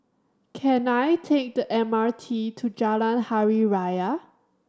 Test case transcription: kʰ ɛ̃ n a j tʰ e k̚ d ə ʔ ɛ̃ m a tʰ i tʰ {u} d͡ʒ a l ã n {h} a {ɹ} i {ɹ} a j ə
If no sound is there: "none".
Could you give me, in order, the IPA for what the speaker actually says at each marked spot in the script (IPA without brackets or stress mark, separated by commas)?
u, h, ɹ, ɹ